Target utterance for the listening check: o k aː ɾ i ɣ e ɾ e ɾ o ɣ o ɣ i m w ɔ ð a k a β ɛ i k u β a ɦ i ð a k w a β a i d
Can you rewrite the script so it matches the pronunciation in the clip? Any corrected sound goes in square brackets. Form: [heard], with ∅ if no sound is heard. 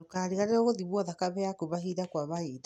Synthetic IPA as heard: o k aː ɾ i ɣ [a] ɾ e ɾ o ɣ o [ð] i m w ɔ ð a k a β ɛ [a] k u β a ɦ i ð a k w a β a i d

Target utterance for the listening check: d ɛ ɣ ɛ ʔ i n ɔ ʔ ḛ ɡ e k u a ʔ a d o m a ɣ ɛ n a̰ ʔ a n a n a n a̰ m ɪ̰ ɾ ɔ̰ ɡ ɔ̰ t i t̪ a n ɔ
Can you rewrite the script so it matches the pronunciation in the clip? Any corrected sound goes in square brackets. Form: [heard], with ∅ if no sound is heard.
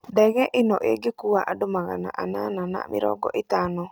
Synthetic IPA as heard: d ɛ ɣ ɛ ʔ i n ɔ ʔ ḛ ɡ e k u a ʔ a d o m a ɣ [a] n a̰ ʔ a n a n a n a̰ m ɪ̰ ɾ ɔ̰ ɡ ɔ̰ [ʔ] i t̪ a n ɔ

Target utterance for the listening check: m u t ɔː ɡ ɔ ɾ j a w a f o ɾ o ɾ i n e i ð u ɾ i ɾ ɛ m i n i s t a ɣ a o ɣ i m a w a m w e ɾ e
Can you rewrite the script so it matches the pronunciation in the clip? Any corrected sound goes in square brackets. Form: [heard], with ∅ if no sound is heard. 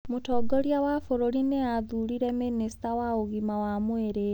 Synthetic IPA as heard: m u t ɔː ɡ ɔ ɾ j a w a f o ɾ o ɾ i n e [a] ð u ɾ i ɾ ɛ m i n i s t a [w] a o ɣ i m a w a m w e ɾ e

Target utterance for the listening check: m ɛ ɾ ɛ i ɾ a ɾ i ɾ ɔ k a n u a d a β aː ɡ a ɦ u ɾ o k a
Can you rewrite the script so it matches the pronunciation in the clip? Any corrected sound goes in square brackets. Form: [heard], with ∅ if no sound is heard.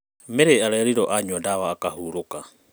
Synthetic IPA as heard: m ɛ ɾ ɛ [a] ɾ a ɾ i ɾ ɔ [ʔ] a [ɲ] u a d a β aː [k] a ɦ u ɾ o k a

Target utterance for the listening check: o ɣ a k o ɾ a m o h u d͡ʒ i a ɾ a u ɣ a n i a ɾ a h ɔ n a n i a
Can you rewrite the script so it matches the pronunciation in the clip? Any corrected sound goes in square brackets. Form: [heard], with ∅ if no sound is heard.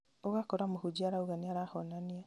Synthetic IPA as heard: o ɣ a k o ɾ a m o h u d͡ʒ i a ɾ a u ɣ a n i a ɾ a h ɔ n a n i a

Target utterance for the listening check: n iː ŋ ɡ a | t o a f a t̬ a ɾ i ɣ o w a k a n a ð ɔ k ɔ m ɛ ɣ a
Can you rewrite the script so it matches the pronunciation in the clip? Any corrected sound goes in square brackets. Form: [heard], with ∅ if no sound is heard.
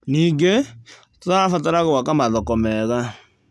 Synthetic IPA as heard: n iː ŋ ɡ [e] | t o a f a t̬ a ɾ [a] ɣ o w a k a [m] a ð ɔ k ɔ m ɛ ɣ a

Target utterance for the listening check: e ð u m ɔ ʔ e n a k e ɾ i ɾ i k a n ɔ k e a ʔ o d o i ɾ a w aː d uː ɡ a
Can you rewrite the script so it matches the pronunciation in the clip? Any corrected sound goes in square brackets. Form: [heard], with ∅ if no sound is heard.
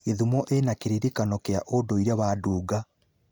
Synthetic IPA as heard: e ð u m ɔ ʔ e n a k e ɾ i ɾ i k a n ɔ k e a ʔ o d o i ɾ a [β] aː d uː ɡ a

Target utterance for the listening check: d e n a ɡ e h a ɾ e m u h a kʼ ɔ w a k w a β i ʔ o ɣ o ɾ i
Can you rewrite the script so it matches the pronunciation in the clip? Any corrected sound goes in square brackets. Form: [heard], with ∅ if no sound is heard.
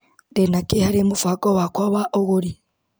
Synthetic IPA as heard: d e n a [k] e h a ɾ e m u [f] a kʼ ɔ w a k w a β [a] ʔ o ɣ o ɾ i

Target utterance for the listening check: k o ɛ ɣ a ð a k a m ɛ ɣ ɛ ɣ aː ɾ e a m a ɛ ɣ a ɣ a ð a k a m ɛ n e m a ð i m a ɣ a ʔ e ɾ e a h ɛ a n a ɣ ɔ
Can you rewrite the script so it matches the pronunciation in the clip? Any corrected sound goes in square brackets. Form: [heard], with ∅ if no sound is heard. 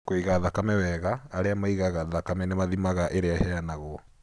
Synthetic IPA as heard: k o [i] ɣ a ð a k a m ɛ [w] ɛ ɣ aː ɾ e a m a [i] ɣ a ɣ a ð a k a m ɛ n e m a ð i m a ɣ a ʔ e ɾ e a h ɛ a n a ɣ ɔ

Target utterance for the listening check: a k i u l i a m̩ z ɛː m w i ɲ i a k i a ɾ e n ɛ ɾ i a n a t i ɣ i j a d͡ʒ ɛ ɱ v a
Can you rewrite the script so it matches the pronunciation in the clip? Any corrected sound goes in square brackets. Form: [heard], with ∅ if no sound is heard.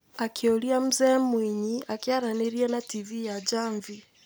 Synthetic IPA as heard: a k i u l i a m̩ z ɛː m w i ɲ i a k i a ɾ [a] n ɛ ɾ i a n a t i [v] i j a d͡ʒ [a] ɱ v [i]

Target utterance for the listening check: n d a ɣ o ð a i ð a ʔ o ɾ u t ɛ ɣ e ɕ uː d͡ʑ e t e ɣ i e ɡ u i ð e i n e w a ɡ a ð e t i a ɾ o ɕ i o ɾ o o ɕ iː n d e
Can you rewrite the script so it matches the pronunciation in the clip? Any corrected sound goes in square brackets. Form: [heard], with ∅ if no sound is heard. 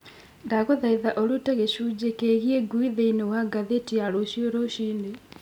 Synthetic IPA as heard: n d a ɣ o ð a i ð a ʔ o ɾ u t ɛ ɣ e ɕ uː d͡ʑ e [k] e ɣ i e ɡ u i ð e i n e w a ɡ a ð e t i a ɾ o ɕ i o ɾ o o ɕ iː n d e

